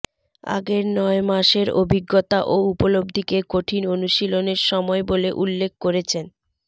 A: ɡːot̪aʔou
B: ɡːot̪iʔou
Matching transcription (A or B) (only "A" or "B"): A